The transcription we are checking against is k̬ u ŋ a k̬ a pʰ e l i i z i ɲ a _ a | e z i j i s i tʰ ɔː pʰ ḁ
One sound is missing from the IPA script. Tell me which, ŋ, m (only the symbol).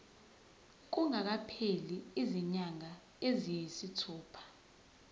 ŋ